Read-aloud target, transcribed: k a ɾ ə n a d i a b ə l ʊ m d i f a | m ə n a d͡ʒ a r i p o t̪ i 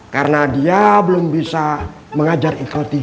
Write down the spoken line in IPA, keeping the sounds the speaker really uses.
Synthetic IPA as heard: k a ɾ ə n a d i a b ə l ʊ m b i s a | m ə ŋ a d͡ʒ a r i k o t̪ i